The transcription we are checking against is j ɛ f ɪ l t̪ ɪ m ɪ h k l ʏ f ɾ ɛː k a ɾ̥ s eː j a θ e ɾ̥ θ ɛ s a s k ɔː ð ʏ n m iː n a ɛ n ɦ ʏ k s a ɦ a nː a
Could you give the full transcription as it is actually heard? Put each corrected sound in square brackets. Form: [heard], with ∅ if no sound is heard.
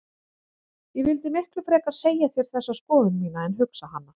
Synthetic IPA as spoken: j ɛ [v] ɪ l t̪ ɪ m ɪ h k l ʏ f ɾ ɛː k a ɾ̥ s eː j a θ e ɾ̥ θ ɛ [sː] a s k ɔː ð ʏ n m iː n a ɛ n ɦ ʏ k s a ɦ a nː a

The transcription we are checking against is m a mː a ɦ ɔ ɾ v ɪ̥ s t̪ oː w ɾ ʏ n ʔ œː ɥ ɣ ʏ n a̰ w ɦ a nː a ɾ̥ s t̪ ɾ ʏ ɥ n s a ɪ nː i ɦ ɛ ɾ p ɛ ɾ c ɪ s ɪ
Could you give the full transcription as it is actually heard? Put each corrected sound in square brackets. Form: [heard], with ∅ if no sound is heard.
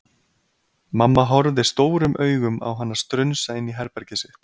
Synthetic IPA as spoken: m a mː a ɦ ɔ ɾ [ð] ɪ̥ s t̪ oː w ɾ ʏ [m] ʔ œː ɥ ɣ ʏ [m] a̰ w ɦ a nː a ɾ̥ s t̪ ɾ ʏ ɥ n s a ɪ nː i ɦ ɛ ɾ p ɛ ɾ c ɪ s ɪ

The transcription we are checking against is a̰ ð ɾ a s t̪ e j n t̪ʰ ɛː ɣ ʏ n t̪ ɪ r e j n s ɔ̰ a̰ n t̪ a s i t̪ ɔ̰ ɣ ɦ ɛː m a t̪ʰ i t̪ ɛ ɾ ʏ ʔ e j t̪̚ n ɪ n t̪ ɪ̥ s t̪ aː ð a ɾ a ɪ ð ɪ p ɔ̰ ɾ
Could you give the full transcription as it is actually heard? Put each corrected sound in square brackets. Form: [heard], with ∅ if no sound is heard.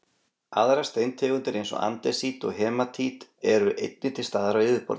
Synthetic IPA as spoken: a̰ ð ɾ a s t̪ e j n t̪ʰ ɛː ɣ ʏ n t̪ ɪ [ɾ] e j n s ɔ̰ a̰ n t̪ [ɛ] s i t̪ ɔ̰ ɣ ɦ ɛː m a t̪ʰ i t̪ ɛ ɾ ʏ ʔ e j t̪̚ n ɪ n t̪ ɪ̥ s t̪ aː ð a ɾ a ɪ ð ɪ p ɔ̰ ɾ

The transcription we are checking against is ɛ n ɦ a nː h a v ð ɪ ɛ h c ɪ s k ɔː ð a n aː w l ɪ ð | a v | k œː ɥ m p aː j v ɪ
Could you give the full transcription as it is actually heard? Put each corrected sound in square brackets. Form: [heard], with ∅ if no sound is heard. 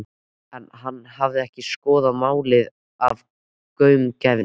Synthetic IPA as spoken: ɛ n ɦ a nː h a v ð ɪ ɛ h c ɪ s k ɔː ð a [m] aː w l ɪ ð | a v | k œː ɥ m [c] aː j v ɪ

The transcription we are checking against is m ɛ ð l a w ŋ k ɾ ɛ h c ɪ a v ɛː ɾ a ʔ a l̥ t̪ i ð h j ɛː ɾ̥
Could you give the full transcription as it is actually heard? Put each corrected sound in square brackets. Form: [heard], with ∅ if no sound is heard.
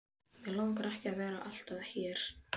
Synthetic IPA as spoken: m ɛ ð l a w ŋ k ɾ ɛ h c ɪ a v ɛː ɾ a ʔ a l̥ t̪ [a] ð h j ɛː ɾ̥

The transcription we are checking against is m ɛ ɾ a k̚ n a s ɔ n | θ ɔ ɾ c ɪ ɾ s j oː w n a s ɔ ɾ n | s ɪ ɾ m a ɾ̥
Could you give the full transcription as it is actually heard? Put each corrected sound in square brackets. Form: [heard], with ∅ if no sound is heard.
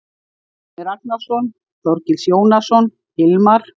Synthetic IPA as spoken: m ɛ ɾ a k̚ n a s ɔ n | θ ɔ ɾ c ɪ [l] s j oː w n a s ɔ [∅] n | [h] ɪ [l] m a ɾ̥

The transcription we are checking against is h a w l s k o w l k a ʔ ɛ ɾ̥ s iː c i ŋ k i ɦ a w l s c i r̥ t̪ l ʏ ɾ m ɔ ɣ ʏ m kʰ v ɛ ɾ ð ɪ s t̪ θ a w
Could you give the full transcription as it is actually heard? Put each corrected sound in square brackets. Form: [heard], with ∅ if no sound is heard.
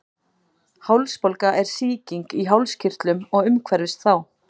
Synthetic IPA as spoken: h a w l s [p] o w l k a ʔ ɛ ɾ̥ s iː c i ŋ k i ɦ a w l s c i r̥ t̪ l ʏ [∅] m ɔ ɣ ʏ m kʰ v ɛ ɾ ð ɪ s t̪ θ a w

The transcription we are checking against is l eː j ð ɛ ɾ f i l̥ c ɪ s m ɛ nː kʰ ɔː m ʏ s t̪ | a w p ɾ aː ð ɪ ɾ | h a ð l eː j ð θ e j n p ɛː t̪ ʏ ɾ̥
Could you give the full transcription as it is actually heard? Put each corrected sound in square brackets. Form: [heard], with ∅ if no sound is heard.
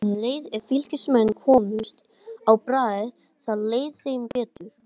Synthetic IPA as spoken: l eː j ð ɛ ɾ f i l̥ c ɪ s m ɛ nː kʰ ɔː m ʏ s t̪ | a w p ɾ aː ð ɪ ɾ | [θ] a ð l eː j ð θ e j [m] p ɛː t̪ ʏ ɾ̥

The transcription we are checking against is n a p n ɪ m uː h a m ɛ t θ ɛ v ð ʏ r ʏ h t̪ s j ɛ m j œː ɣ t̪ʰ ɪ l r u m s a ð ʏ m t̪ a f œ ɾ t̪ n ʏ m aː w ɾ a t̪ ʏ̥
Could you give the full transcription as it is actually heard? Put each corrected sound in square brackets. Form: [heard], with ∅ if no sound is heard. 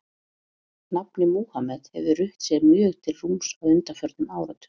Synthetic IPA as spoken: n a p n ɪ m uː h a m ɛ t [h] ɛ v ð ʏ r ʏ h t̪ s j ɛ m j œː ɣ t̪ʰ ɪ l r u m s a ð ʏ [n] t̪ a f œ ɾ t̪ n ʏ m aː w ɾ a t̪ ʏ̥

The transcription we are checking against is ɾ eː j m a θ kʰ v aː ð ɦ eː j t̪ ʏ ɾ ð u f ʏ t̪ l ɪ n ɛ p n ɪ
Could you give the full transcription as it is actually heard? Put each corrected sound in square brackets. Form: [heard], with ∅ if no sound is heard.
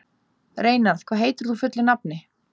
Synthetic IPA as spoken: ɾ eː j [n] a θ kʰ v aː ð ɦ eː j t̪ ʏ ɾ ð u f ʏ t̪ l ɪ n [a] p n ɪ

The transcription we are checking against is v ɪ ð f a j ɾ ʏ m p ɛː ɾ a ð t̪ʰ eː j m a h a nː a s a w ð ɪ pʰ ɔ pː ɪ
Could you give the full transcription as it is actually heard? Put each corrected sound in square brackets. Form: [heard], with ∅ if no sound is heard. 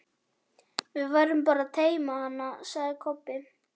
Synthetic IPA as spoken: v ɪ ð [v] a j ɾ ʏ m p [aː] ɾ a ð t̪ʰ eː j m a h a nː a s a [ɣ] ð ɪ [kʰ] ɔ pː ɪ

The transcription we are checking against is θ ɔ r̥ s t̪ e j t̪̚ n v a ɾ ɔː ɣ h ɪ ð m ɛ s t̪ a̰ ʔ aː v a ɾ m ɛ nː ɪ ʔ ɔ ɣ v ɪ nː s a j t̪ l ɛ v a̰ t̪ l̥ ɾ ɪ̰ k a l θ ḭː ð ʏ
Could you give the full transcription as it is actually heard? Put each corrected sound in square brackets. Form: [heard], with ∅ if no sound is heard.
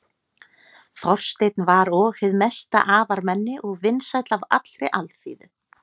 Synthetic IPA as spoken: θ ɔ r̥ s t̪ e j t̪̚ n v a ɾ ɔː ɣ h ɪ ð m ɛ s t̪ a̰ ʔ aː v a ɾ m ɛ nː ɪ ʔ ɔ ɣ v ɪ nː s a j t̪ l [a] v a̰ t̪ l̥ ɾ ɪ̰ [ʔ] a l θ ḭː ð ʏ

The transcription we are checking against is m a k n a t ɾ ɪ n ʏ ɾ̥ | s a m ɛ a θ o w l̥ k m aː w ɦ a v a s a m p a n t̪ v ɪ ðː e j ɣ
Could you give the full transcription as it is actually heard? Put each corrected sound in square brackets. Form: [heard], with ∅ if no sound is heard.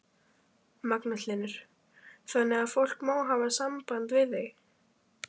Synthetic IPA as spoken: m a k n a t [l] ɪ n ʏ ɾ̥ | [θ] a [n] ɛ a [f] o w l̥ k m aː w ɦ a v a s a m p a n t̪ v ɪ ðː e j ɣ

